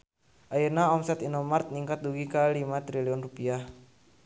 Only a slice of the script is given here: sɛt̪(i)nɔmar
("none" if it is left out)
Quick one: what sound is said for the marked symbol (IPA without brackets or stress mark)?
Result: i